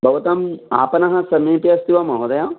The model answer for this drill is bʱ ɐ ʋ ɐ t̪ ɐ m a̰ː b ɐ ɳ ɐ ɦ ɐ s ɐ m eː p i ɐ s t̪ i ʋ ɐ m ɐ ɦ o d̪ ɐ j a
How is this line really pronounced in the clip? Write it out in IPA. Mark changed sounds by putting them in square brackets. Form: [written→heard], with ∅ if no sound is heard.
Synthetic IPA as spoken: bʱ ɐ ʋ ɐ t̪ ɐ m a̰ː [b→p] ɐ [ɳ→n] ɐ ɦ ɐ s ɐ m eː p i ɐ s t̪ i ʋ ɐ m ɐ ɦ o d̪ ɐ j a